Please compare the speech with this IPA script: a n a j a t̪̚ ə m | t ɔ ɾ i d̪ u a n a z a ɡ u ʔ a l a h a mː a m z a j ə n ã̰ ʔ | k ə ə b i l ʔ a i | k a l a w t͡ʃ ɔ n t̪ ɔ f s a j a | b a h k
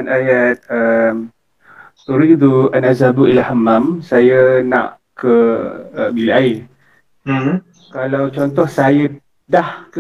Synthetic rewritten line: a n a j a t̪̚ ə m | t u ɾ i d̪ u a n a z a b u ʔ i l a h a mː a m s a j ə n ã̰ ʔ | k ə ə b i l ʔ a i | k a l a w t͡ʃ ɔ n t̪ ɔ h s a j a | d a h k